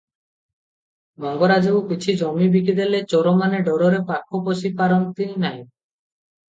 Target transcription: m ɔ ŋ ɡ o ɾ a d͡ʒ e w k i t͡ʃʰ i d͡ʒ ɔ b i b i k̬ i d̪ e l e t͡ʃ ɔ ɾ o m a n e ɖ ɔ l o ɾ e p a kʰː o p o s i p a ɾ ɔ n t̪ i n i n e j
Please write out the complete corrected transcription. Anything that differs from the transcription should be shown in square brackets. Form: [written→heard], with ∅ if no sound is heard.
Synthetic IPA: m ɔ ŋ ɡ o ɾ a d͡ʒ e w k i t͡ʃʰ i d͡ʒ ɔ [b→m] i b i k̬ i d̪ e l e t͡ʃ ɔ ɾ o m a n e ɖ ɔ [l→ɾ] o ɾ e p a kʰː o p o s i p a ɾ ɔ n t̪ i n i n [e→a] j